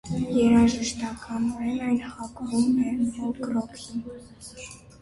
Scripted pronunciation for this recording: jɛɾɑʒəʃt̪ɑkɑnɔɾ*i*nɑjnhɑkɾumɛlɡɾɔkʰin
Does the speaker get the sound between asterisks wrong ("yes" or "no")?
yes